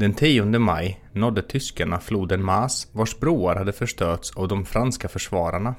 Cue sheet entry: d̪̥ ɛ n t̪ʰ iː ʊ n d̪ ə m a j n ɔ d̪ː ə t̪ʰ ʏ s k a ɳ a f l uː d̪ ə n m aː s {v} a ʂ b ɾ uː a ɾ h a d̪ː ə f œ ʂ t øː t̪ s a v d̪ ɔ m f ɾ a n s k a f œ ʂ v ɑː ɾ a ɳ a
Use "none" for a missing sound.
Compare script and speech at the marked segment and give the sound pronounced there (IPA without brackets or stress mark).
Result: v